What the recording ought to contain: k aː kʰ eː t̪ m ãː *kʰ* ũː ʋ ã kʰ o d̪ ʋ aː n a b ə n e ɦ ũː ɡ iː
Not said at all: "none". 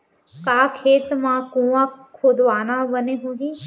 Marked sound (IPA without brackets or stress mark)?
k